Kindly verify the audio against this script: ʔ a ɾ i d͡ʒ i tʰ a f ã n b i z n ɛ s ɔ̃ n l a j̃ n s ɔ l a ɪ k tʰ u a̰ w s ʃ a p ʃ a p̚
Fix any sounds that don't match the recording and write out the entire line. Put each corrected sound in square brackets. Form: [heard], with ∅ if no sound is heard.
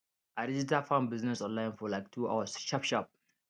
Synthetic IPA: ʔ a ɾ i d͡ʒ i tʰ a f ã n b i z n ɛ s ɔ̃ n l a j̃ n [f] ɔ l a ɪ k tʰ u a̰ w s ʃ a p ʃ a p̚